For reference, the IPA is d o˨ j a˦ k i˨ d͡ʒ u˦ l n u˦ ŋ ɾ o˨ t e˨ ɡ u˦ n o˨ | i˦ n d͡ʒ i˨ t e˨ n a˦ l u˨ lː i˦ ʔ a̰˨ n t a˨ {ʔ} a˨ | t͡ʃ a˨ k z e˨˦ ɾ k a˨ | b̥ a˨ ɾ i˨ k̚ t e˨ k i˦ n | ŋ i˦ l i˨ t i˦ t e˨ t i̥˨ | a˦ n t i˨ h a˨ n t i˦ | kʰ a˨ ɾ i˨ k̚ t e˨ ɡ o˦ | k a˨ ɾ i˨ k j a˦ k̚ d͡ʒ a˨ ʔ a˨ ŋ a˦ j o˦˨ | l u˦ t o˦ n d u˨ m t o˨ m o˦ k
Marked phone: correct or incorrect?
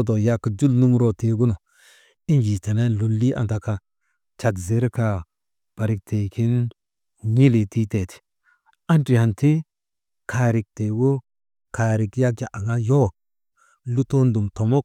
incorrect: k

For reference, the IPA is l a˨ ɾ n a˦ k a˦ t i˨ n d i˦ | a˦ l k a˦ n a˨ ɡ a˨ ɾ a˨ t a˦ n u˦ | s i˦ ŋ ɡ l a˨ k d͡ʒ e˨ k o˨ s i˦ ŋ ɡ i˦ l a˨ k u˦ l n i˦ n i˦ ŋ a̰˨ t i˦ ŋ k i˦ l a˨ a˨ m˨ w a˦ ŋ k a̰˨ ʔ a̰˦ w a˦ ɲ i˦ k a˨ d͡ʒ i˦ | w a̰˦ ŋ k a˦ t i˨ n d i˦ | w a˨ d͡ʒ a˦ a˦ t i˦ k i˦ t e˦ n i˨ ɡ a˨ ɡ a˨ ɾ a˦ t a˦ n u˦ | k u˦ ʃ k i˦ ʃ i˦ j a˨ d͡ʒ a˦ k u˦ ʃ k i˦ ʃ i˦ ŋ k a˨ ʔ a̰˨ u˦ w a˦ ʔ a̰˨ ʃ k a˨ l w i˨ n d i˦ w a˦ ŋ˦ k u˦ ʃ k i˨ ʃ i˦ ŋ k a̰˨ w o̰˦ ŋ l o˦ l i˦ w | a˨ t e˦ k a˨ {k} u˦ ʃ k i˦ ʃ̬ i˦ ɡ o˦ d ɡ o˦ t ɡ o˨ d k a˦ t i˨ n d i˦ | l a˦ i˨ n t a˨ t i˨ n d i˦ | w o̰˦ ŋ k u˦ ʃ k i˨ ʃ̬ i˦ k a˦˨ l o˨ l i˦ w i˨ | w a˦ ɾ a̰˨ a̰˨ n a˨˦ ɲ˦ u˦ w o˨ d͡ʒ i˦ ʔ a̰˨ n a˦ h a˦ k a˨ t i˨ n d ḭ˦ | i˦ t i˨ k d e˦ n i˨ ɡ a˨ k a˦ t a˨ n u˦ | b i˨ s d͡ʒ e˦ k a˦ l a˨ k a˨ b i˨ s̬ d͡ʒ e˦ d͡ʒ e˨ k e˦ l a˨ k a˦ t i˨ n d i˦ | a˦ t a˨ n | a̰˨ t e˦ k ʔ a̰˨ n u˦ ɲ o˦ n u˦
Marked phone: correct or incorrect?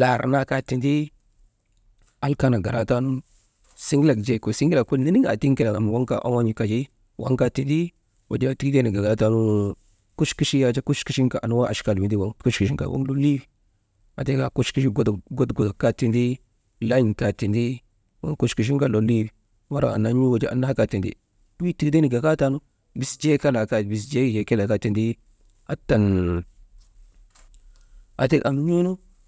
correct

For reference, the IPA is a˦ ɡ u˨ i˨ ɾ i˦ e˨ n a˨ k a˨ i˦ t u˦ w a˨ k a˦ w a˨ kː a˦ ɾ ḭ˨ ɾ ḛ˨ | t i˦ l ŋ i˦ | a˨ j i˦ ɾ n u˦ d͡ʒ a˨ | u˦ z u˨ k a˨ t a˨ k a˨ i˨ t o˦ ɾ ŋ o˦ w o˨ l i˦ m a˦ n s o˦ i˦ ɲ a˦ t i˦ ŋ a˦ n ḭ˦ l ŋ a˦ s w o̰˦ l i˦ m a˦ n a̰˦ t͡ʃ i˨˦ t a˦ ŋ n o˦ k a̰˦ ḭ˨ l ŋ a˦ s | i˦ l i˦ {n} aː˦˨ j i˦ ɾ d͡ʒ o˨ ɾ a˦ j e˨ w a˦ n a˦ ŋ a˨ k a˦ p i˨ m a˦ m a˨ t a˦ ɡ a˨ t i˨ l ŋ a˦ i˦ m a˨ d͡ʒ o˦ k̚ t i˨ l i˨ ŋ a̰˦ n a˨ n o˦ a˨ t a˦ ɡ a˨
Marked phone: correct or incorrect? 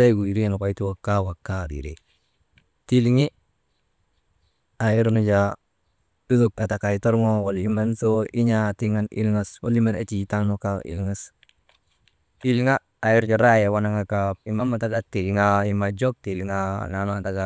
incorrect: ŋ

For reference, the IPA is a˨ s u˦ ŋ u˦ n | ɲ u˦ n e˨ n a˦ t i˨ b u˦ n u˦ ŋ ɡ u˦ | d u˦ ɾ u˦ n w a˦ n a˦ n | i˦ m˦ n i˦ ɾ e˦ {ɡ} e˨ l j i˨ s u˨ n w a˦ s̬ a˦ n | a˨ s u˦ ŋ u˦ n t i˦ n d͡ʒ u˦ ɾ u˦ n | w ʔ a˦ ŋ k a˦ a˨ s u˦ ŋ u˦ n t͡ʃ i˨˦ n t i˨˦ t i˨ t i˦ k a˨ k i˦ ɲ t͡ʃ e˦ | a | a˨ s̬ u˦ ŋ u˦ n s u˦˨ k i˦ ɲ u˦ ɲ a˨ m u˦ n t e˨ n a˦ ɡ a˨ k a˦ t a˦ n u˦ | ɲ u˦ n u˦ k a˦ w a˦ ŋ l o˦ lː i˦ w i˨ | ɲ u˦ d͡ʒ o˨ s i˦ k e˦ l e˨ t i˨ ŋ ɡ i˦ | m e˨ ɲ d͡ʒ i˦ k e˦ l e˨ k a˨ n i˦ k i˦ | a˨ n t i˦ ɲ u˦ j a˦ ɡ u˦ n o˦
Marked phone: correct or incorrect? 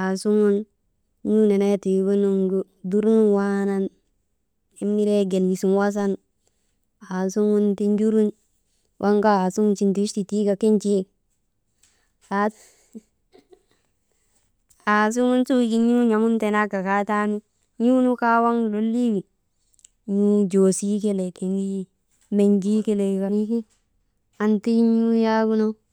correct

